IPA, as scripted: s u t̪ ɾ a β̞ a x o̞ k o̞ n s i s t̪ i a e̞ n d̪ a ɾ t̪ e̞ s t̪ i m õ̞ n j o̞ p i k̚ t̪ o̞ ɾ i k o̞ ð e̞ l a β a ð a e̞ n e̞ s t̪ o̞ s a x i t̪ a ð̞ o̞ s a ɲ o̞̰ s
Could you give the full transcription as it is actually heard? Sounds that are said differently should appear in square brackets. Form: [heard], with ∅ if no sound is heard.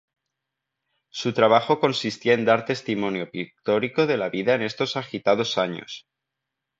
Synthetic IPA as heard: s u t̪ ɾ a β̞ a x o̞ k o̞ n s i s t̪ i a e̞ n d̪ a ɾ t̪ e̞ s t̪ i m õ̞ n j o̞ p i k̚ t̪ o̞ ɾ i k o̞ ð e̞ l a β [i] ð a e̞ n e̞ s t̪ o̞ s a x i t̪ a ð̞ o̞ s a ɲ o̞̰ s